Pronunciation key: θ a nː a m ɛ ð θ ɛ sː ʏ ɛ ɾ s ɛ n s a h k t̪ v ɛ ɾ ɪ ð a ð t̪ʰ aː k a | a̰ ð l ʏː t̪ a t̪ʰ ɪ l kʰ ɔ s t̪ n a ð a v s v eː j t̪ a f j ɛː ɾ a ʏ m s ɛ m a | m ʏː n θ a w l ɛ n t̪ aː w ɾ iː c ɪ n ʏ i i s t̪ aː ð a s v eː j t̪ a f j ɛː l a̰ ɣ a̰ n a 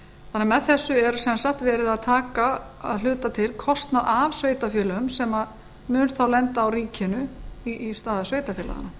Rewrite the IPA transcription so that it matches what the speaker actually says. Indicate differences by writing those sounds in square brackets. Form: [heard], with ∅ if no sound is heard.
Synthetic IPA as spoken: θ a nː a m ɛ ð θ ɛ sː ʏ ɛ ɾ s ɛ n s a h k t̪ v [ɛː] ɾ ɪ ð a ð t̪ʰ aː k a | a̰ ð l ʏː t̪ a t̪ʰ ɪ l kʰ ɔ s t̪ n a ð a v s v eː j t̪ a f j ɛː [l] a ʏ m s ɛ m a | m ʏː n θ a w l ɛ n t̪ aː w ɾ iː c ɪ n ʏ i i s t̪ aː ð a s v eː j t̪ a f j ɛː l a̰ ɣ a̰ n a